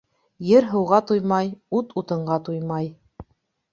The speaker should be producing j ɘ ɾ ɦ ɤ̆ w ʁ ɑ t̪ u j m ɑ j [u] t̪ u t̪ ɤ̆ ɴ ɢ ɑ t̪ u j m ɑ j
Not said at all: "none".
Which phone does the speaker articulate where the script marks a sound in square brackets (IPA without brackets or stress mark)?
u